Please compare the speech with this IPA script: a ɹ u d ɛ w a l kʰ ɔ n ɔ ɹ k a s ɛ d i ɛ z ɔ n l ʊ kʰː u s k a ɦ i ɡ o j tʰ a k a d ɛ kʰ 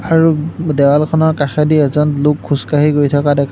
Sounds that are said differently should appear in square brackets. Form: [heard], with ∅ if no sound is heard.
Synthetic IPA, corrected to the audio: a ɹ u d ɛ w a l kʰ ɔ n ɔ ɹ k a [x] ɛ d i ɛ z ɔ n l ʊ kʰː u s k a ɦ i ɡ o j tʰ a k a d ɛ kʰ

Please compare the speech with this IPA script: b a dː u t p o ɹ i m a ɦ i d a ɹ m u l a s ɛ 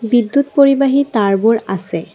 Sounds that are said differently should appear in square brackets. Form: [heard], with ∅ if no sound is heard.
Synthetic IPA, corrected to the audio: b [i] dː u t p o ɹ i [b] a ɦ i [t] a ɹ [b] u [ɹ] a s ɛ

